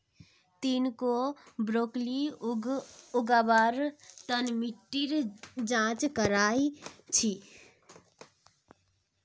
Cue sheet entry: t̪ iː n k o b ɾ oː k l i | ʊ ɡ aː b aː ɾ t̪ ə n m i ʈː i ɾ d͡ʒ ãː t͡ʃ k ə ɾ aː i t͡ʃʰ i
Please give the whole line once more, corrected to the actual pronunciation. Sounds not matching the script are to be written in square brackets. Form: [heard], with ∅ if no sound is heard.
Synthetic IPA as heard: t̪ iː n k o b ɾ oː k l i | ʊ ɡ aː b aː ɾ t̪ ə n m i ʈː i ɾ d͡ʒ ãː t͡ʃ k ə ɾ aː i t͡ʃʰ i